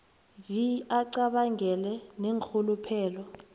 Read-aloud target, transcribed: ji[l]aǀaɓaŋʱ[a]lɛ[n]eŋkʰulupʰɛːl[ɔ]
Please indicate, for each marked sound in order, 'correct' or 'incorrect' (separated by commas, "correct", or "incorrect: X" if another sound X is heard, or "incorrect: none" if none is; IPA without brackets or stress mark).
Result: incorrect: none, incorrect: ɛ, correct, correct